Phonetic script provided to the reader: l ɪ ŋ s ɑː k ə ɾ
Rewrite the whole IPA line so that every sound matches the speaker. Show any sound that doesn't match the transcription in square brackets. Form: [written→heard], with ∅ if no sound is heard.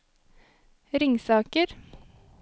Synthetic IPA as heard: [l→ɾ] ɪ ŋ s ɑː k ə ɾ